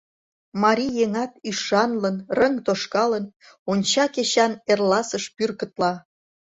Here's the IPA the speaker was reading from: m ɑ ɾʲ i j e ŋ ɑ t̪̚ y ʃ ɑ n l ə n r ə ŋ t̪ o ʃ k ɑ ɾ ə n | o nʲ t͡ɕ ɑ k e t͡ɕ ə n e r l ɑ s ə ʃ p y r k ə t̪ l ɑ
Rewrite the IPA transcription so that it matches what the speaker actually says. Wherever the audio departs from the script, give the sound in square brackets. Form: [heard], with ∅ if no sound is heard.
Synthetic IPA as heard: m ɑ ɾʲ i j e ŋ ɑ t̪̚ y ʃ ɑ n l ə n r ə ŋ t̪ o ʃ k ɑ [l] ə n | o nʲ t͡ɕ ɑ k e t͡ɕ [ɑ] n e r l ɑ s ə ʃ p y r k ə t̪ l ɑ